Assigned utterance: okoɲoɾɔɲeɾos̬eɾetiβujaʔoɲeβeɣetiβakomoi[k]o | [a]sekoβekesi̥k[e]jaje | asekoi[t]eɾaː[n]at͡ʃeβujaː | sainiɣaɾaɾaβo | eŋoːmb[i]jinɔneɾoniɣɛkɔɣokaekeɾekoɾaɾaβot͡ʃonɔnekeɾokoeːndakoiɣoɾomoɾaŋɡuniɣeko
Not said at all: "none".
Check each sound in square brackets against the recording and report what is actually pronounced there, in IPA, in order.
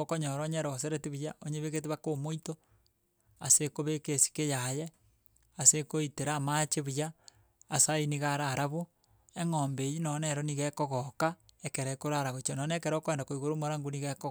t, a, e, t, m, e

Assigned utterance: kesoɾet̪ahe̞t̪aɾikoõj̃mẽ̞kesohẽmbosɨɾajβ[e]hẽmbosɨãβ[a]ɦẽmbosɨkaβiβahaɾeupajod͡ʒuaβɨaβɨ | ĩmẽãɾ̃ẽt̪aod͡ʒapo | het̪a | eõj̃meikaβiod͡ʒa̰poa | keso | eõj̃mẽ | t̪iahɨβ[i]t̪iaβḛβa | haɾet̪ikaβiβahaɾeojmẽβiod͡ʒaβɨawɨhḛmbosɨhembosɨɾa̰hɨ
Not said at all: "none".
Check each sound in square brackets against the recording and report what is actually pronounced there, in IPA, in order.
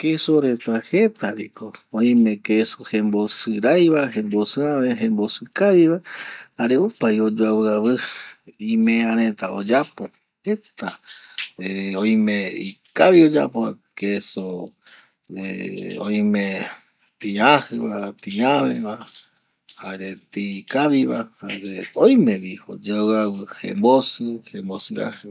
a, e, a

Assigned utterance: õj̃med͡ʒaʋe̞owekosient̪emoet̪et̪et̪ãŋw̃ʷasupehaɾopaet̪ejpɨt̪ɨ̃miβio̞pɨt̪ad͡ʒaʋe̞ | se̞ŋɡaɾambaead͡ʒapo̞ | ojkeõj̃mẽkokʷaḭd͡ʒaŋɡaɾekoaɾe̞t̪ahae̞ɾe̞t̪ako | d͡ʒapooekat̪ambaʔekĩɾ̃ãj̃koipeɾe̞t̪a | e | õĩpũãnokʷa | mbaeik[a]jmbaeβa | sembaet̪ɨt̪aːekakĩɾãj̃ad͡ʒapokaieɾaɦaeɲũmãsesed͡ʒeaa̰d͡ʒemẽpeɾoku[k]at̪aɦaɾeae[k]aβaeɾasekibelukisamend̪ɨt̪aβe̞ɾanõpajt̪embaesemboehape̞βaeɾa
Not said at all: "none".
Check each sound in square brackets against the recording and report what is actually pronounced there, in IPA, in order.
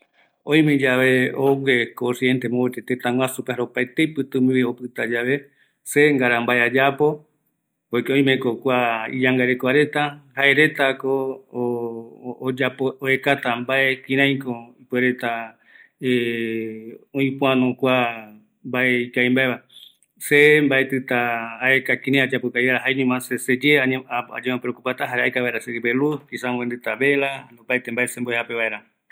a, p, k

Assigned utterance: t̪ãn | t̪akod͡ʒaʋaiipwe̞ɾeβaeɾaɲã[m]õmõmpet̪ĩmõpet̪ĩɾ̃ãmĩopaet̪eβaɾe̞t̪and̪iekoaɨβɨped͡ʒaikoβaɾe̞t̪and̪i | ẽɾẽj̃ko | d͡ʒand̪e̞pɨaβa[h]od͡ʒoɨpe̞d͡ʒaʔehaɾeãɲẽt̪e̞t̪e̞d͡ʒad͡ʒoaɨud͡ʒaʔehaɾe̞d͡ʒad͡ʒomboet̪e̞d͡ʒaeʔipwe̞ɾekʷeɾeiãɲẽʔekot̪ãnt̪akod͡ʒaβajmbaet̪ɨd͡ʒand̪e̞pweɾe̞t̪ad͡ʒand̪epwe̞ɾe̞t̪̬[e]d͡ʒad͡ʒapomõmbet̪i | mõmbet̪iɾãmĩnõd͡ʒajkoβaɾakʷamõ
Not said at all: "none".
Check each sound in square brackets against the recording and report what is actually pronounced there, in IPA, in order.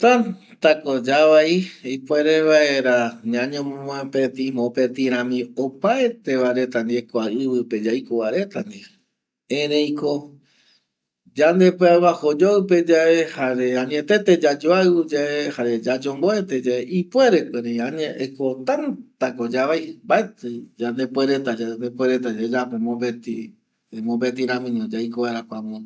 ɲ, h, a

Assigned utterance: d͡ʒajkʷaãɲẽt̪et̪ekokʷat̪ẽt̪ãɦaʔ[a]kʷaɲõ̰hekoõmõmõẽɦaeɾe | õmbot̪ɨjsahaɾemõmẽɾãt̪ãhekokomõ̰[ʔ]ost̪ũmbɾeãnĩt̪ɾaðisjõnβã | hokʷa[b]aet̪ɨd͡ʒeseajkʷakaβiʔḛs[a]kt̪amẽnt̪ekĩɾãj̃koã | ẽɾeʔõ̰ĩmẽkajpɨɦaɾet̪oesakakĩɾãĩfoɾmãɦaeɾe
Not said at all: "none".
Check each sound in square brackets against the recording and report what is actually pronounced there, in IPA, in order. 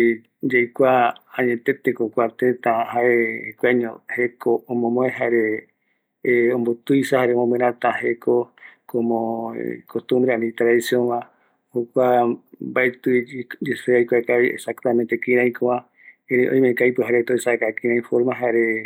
e, k, b, a

